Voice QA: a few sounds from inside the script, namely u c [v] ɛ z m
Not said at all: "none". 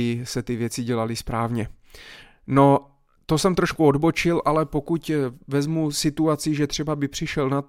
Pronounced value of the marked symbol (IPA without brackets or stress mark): v